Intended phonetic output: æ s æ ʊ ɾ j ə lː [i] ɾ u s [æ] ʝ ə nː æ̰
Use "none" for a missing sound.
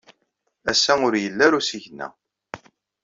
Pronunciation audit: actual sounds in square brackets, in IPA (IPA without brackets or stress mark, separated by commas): æ, i